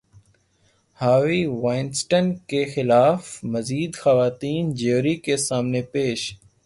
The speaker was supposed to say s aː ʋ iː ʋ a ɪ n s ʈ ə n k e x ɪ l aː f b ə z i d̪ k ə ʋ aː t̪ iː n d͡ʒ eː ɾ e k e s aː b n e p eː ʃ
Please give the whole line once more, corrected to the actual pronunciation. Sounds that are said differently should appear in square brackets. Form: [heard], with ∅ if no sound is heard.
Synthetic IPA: [h] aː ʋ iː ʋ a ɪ n s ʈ ə n k e x ɪ l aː f [m] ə z [iː] d̪ [x] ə ʋ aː t̪ iː n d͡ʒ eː ɾ [i] k e s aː [m] n e p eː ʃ